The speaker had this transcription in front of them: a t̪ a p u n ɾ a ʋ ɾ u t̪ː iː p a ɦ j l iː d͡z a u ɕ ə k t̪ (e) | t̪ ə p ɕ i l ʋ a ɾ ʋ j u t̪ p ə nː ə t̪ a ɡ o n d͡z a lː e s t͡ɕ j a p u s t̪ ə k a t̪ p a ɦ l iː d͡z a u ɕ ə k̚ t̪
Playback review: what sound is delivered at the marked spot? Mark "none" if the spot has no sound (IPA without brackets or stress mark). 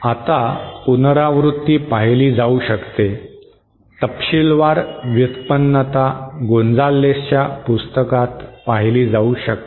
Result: e